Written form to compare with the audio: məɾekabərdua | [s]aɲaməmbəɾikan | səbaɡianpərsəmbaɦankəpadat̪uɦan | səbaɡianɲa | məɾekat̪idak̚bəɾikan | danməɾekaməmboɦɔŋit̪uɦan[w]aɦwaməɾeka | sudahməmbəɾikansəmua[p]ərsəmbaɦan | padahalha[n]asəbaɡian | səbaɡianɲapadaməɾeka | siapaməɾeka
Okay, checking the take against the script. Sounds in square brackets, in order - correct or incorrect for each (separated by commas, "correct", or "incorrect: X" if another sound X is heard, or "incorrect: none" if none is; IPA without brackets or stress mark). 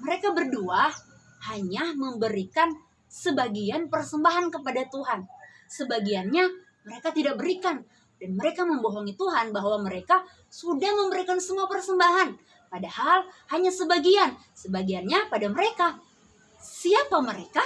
incorrect: h, incorrect: b, correct, incorrect: ɲ